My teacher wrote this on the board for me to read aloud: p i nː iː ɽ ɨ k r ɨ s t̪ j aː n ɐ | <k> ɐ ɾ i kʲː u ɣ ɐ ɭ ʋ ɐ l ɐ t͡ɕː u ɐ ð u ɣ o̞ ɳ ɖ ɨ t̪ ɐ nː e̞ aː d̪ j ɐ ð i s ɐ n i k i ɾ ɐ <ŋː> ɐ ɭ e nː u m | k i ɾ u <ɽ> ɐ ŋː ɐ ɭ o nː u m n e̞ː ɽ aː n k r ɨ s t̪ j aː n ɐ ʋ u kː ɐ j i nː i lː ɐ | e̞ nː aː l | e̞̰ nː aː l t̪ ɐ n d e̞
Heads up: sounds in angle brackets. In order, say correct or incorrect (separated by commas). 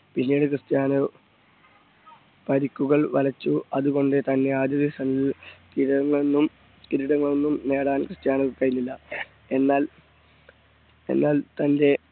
incorrect, correct, correct